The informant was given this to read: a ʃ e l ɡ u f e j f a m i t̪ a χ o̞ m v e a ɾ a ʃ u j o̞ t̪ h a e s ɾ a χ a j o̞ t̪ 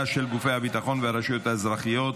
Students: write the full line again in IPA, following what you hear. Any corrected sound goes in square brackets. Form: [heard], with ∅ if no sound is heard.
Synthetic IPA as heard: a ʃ e l ɡ u f e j [h] a [b] i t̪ a χ o̞ [n] v e a ɾ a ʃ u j o̞ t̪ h a e [z] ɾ a χ [i] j o̞ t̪